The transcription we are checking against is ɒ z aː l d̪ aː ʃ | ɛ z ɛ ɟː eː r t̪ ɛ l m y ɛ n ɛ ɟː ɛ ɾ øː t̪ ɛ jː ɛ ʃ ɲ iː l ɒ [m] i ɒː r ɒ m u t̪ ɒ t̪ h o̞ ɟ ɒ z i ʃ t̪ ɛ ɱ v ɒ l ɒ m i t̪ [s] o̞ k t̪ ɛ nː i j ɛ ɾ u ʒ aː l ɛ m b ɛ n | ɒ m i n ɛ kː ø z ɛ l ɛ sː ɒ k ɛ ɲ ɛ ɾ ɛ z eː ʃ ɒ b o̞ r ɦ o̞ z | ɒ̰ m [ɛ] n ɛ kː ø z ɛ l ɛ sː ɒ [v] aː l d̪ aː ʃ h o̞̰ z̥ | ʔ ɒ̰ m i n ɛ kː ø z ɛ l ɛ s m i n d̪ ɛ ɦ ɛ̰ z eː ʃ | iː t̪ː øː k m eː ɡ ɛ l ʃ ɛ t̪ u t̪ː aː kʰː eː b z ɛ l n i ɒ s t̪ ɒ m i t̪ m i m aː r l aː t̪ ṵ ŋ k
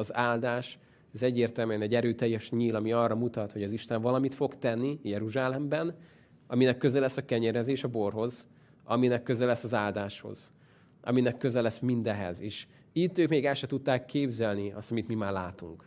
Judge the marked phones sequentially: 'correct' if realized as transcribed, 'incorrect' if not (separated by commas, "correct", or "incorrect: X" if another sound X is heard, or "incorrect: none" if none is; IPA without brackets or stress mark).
correct, incorrect: f, incorrect: i, incorrect: z